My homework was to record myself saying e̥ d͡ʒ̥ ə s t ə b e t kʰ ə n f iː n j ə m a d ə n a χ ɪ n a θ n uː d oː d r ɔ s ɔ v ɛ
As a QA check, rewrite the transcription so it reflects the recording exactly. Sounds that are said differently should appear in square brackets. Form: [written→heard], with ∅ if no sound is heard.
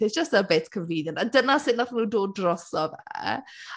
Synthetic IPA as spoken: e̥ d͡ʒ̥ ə s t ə b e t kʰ ə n [f→v] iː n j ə [m→n] a d ə n a [χ→s] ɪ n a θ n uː d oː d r ɔ s ɔ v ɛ